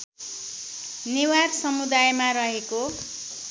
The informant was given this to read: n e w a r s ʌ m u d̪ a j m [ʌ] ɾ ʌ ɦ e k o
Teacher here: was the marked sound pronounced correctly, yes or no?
no